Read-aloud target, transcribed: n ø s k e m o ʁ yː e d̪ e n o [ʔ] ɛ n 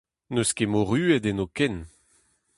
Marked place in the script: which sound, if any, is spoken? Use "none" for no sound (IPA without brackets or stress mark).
k